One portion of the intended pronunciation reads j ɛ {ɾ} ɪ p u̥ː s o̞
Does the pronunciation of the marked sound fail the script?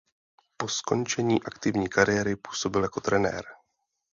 no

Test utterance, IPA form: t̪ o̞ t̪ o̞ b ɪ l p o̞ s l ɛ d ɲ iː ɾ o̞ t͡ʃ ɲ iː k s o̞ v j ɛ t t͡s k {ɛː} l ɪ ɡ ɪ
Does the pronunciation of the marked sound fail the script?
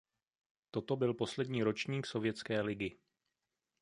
no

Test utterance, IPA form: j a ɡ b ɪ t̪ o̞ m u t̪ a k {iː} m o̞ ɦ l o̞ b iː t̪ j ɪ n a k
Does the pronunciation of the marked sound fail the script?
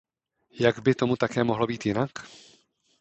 yes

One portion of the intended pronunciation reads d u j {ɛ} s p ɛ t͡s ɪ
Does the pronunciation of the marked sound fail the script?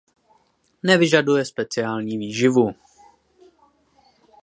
no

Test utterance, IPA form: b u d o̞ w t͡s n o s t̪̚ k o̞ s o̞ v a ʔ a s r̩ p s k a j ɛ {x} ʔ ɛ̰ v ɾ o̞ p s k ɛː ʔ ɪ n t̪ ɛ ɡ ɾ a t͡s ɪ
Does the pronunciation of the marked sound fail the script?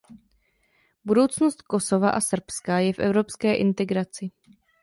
yes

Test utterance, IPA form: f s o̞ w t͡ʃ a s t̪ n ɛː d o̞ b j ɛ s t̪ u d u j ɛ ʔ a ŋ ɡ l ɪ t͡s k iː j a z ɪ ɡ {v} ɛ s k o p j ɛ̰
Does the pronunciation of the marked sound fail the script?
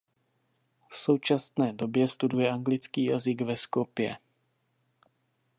no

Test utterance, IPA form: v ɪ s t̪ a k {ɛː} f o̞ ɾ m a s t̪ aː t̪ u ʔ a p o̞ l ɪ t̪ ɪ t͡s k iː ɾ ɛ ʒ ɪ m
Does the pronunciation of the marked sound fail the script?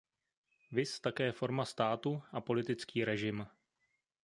no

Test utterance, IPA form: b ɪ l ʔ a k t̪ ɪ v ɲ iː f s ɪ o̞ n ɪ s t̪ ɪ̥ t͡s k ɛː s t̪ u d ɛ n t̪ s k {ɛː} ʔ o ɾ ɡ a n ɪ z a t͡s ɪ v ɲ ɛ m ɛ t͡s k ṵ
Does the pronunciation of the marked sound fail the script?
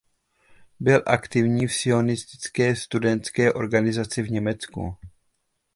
no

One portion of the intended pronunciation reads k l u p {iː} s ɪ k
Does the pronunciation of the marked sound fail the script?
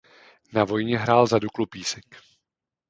no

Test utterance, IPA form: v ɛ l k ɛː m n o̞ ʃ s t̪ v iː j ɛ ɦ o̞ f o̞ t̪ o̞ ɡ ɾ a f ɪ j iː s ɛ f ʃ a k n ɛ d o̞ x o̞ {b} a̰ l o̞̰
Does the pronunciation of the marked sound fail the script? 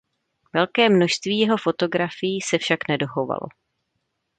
yes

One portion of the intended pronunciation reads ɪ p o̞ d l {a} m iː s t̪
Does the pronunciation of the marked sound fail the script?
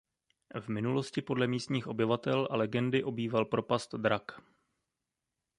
yes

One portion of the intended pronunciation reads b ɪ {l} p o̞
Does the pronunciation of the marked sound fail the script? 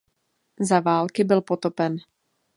no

